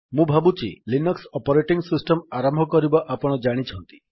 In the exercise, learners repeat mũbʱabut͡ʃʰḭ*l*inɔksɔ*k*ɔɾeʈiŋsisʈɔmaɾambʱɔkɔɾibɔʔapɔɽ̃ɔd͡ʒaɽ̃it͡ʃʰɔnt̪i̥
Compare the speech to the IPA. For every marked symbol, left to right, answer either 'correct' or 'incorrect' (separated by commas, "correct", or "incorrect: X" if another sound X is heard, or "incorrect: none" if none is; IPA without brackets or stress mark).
correct, incorrect: p